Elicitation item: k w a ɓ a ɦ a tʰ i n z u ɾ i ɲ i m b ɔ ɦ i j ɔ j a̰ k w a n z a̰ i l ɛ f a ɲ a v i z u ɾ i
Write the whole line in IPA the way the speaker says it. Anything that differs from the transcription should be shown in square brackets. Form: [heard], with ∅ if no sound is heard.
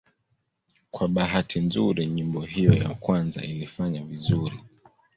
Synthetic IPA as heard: k w a ɓ a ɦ a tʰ i n z u ɾ i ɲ i m b ɔ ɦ i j ɔ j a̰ k w a n z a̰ i l [i] f a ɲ a v i z u ɾ i